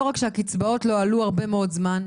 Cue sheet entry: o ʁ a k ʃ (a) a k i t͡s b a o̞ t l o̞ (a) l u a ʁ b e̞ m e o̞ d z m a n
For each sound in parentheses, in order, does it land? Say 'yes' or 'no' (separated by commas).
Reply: no, yes